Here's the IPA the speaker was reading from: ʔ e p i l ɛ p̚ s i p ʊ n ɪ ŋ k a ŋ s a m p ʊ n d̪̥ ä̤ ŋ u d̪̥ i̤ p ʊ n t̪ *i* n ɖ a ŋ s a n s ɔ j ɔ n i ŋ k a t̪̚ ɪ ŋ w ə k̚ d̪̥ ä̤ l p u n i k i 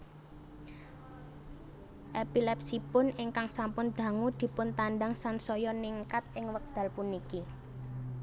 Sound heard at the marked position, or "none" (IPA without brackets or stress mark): a